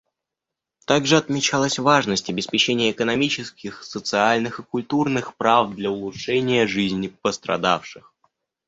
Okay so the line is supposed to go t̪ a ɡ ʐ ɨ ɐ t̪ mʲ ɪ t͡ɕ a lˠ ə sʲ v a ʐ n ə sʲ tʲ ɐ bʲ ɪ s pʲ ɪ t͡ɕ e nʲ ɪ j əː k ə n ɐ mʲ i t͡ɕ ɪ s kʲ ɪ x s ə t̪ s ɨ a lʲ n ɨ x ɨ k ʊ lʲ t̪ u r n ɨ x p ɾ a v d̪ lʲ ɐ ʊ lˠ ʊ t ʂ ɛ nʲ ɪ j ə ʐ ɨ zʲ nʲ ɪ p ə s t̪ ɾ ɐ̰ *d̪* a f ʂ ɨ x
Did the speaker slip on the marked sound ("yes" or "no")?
no